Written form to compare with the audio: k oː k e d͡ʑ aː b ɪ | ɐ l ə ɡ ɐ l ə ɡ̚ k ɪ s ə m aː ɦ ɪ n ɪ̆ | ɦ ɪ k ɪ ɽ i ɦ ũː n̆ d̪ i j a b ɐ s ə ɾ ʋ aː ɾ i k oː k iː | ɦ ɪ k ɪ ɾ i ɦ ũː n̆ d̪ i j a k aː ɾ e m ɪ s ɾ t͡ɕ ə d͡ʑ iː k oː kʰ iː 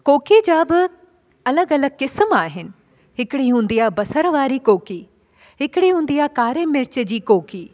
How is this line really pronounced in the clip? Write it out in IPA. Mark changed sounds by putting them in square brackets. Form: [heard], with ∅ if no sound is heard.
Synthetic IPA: k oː k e d͡ʑ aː b ɪ | ɐ l ə ɡ ɐ l ə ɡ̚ k ɪ s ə m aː ɦ ɪ n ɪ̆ | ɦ ɪ k ɪ ɽ i ɦ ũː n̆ d̪ i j a b ɐ s ə ɾ ʋ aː ɾ i k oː k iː | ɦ ɪ k ɪ [ɽ] i ɦ ũː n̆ d̪ i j a k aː ɾ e m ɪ [∅] ɾ t͡ɕ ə d͡ʑ iː k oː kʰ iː